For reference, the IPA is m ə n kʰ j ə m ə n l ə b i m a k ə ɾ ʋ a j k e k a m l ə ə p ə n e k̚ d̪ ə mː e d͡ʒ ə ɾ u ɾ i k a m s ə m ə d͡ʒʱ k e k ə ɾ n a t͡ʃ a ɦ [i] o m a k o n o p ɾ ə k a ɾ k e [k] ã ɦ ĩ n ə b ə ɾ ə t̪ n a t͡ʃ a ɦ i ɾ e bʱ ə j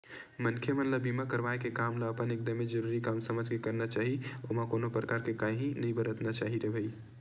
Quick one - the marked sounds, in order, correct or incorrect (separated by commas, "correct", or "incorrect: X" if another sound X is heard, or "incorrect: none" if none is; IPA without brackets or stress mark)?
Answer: correct, correct